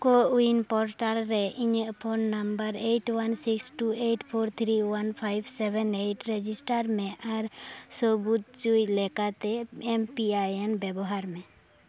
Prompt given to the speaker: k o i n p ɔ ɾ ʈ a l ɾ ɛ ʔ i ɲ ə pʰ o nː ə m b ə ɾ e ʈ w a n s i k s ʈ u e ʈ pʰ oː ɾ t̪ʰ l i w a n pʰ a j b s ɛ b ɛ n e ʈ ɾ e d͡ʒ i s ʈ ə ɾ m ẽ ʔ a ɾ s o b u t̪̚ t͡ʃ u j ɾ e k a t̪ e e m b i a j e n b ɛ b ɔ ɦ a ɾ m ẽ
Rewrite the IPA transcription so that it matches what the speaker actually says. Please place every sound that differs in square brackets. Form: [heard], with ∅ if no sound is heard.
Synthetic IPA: k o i n p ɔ ɾ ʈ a l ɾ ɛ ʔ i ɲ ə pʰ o nː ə m b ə ɾ e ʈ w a n s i k s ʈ u e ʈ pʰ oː ɾ t̪ʰ [ɾ] i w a n pʰ a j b s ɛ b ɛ n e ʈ ɾ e d͡ʒ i s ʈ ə ɾ m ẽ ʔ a ɾ s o b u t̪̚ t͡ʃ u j [l] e k a t̪ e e m [p] i a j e n b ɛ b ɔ ɦ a ɾ m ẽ